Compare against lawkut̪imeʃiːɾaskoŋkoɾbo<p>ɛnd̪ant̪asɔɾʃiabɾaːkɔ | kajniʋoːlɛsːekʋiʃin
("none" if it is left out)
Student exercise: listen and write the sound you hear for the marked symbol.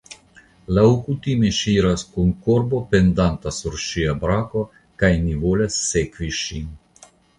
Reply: p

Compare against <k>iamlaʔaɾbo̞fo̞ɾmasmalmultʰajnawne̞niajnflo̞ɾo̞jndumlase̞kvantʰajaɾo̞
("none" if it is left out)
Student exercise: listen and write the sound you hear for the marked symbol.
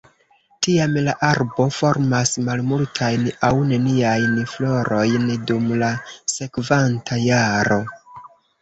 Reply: t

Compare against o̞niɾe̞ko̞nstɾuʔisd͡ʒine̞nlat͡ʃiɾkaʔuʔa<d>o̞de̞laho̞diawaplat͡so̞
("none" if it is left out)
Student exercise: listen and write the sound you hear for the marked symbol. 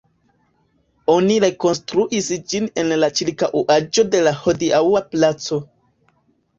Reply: d͡ʒ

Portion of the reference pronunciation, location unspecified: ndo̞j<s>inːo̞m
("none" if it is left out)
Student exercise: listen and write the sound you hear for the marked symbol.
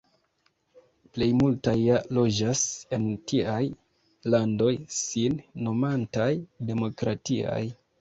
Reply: s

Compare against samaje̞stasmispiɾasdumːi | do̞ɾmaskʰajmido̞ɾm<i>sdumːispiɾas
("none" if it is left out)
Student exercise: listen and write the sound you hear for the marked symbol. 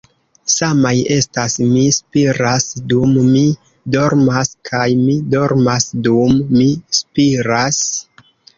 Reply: a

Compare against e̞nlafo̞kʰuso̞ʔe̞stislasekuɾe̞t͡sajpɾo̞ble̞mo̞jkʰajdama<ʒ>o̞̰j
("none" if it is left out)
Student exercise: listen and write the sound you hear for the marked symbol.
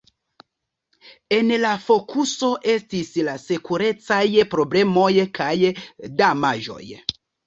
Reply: ʒ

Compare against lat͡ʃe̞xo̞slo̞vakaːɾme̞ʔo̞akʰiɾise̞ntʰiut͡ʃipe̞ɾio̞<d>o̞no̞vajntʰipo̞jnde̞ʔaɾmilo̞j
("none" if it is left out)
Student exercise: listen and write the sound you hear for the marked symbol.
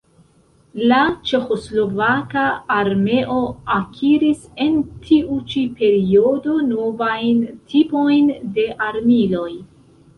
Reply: d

